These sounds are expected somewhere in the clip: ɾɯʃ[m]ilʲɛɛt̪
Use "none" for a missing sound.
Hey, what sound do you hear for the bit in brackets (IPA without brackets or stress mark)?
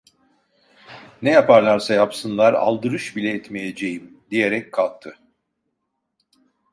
b